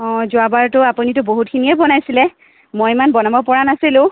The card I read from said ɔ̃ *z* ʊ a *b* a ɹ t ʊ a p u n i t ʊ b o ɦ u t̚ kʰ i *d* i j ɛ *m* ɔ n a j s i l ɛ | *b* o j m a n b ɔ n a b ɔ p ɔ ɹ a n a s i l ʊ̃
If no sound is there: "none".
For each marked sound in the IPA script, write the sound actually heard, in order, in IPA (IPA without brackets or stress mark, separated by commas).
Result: z, b, n, b, m